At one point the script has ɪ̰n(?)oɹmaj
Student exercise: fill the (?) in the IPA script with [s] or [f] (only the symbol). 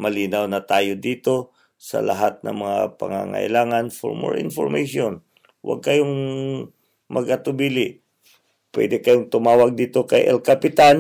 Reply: f